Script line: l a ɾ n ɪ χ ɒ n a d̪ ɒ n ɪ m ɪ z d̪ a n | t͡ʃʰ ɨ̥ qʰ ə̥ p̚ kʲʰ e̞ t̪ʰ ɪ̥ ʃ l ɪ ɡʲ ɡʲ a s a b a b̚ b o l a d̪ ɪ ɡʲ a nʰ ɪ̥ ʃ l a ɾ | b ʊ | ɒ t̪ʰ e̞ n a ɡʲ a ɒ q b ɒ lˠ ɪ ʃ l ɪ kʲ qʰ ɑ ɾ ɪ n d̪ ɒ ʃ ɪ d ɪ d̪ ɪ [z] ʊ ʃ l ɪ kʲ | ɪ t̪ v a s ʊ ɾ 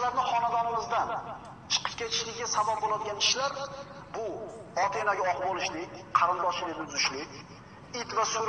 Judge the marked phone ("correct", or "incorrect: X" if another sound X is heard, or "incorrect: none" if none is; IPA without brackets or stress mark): correct